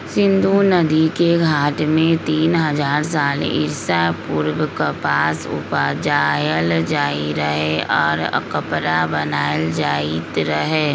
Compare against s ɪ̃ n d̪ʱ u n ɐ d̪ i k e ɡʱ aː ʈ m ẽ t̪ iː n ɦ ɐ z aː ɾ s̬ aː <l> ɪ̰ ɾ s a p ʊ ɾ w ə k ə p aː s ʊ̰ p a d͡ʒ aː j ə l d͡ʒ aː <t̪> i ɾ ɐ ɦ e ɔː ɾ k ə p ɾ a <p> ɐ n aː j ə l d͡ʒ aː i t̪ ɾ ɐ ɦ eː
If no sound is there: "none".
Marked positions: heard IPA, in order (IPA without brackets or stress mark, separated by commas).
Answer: l, none, b